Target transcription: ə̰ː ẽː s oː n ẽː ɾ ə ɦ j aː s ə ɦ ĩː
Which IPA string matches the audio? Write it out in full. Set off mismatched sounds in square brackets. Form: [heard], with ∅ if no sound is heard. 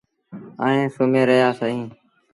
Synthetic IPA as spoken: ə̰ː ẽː s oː [m] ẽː ɾ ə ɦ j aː s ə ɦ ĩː